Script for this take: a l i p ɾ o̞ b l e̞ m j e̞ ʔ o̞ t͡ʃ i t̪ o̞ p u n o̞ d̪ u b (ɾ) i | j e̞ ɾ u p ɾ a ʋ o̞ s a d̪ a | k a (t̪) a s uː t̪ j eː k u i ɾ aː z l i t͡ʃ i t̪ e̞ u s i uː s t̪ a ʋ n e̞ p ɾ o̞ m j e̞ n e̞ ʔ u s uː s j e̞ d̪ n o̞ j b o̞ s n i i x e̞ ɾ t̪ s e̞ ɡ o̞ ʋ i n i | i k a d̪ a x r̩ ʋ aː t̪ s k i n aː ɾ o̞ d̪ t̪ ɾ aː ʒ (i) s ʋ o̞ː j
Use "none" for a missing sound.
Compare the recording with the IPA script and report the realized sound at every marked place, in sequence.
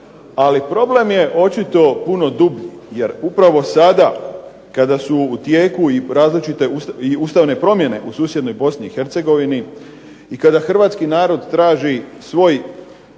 ʎ, d̪, i

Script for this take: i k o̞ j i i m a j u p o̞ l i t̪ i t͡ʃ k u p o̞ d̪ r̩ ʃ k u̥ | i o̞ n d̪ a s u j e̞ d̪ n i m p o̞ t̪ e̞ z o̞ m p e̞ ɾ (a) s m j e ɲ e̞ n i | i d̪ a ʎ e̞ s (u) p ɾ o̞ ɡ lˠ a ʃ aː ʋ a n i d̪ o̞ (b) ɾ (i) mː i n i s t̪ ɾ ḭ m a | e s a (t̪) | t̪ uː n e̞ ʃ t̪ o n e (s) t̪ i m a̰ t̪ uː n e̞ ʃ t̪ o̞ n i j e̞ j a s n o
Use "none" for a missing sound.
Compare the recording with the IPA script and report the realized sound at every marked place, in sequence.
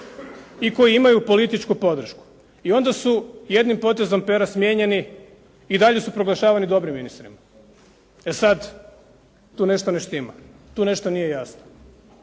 a, u, b, i, d̪, ʃ

